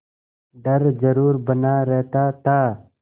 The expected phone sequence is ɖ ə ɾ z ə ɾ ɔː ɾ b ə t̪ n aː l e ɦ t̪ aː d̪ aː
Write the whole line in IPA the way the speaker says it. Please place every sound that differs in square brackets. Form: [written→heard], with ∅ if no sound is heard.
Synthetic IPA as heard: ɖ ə ɾ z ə ɾ [ɔː→uː] ɾ b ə [t̪→∅] n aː [l→ɾ] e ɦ t̪ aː [d̪→t̪] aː